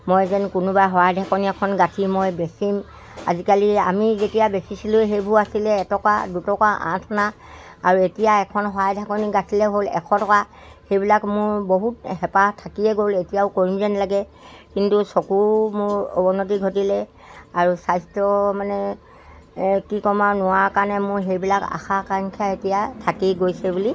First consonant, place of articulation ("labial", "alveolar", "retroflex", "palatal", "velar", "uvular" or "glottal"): labial